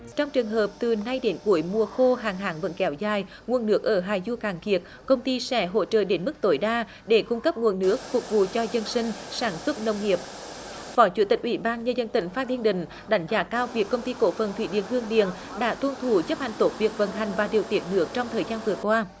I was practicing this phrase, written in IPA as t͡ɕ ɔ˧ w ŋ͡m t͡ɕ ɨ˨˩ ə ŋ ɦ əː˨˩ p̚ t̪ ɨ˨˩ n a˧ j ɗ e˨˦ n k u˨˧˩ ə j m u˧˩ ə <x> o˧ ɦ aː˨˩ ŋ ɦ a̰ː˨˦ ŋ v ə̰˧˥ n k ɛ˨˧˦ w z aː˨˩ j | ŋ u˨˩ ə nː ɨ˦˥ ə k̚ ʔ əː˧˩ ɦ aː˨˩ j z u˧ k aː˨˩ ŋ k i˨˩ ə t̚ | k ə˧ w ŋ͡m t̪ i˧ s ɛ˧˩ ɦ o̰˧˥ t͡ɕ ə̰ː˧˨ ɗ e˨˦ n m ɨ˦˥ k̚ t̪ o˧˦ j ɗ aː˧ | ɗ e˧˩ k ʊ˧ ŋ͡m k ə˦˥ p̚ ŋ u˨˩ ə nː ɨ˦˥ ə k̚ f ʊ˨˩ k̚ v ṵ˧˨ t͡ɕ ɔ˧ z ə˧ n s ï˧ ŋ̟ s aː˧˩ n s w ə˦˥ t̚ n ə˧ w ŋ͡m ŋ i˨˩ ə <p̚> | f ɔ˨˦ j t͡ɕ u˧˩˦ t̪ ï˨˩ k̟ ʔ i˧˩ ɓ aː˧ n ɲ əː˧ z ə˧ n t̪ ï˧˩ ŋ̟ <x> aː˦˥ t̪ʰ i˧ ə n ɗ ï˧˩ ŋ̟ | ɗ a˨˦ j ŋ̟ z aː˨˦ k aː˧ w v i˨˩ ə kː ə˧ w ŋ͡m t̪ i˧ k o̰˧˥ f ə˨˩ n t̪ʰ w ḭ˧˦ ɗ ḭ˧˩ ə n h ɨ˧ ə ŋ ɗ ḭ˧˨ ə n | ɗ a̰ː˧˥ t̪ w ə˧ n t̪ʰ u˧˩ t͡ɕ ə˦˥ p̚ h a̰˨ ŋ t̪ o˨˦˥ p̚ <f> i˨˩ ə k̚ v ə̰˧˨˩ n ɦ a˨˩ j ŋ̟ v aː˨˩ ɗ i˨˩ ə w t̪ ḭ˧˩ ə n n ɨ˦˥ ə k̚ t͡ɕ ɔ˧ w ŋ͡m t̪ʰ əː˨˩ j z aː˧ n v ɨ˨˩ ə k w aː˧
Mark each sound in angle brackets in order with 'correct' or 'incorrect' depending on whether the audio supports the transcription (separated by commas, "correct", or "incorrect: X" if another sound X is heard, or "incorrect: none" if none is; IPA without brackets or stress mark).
correct, correct, incorrect: f, incorrect: v